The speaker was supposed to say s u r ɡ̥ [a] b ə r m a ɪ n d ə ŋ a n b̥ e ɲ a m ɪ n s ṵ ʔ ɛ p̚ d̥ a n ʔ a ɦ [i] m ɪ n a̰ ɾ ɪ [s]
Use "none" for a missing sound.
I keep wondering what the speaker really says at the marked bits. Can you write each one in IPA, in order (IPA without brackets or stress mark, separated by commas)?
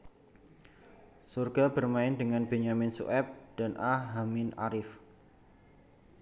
a, a, f